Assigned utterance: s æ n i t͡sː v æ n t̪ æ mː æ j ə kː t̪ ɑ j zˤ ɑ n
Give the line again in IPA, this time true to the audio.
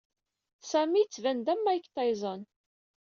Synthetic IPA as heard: s æ m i t͡sː v æ n d̪ æ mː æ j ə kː t̪ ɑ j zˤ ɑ n